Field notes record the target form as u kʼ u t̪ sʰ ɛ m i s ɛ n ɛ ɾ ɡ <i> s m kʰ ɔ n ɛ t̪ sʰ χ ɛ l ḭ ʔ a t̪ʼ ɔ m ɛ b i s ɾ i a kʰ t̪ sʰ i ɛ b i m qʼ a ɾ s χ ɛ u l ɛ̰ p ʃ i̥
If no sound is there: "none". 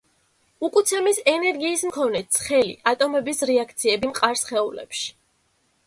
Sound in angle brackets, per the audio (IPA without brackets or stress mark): iː